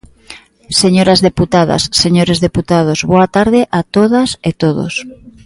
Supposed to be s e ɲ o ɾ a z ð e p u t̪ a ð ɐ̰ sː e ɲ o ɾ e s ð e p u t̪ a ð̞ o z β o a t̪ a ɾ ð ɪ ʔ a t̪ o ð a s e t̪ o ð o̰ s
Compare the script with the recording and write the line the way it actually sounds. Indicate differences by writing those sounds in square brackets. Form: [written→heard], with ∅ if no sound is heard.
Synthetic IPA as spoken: s e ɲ o ɾ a z ð e p u t̪ a ð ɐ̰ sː e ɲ o ɾ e [s→z] ð e p u t̪ a ð̞ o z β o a t̪ a ɾ ð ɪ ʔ a t̪ o ð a s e t̪ o ð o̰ s